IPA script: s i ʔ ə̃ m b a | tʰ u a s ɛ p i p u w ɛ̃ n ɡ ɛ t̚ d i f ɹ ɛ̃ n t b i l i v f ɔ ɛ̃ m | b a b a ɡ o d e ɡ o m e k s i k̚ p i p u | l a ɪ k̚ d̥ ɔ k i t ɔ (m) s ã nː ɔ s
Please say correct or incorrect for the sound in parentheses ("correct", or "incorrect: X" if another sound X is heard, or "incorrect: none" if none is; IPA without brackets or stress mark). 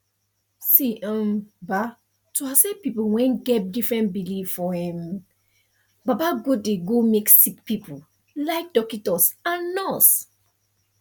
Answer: incorrect: none